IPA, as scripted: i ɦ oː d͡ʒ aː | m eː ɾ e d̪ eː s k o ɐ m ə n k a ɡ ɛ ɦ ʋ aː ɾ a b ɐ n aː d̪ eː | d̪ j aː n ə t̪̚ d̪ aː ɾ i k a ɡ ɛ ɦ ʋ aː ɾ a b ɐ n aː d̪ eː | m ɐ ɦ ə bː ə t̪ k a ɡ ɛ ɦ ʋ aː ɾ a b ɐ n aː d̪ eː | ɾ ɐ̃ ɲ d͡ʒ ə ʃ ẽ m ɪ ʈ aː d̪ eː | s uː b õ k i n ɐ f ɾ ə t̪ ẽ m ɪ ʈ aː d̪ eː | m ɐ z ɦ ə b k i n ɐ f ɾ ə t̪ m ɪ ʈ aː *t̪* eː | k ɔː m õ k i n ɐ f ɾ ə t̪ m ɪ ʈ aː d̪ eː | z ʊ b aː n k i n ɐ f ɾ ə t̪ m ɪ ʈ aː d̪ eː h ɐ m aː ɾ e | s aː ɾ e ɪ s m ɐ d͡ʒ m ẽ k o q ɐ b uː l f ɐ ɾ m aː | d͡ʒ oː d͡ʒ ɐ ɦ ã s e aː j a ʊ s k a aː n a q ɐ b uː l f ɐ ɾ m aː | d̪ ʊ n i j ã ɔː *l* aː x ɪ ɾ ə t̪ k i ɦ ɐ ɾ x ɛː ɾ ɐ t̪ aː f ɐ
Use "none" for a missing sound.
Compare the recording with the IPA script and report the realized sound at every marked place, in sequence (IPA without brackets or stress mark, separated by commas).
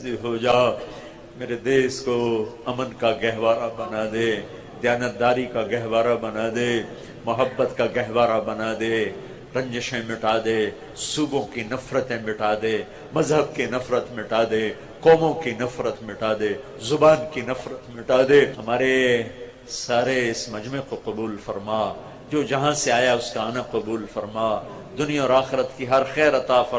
d̪, ɾ